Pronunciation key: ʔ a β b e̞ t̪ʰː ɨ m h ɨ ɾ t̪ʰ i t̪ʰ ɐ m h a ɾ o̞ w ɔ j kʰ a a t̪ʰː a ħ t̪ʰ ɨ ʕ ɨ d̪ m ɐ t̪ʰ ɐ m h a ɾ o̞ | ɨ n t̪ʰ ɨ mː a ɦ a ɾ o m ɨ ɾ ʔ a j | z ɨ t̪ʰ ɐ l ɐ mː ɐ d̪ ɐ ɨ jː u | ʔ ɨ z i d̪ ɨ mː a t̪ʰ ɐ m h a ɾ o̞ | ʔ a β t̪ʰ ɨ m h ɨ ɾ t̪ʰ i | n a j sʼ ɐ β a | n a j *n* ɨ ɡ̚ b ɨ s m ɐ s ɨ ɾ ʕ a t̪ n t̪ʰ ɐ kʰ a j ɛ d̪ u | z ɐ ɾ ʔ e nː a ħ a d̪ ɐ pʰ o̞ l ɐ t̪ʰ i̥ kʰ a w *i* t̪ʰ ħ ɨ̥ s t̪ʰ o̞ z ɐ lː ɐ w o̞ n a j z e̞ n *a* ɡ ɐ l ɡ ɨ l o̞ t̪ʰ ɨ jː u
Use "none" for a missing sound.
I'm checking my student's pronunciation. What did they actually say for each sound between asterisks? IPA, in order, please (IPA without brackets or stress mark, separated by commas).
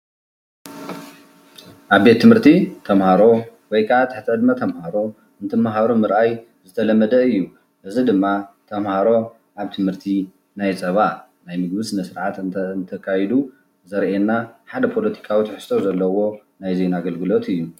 m, i, a